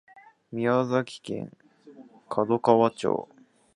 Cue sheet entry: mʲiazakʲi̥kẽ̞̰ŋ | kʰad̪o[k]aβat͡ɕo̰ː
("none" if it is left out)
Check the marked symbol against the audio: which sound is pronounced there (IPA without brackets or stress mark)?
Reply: k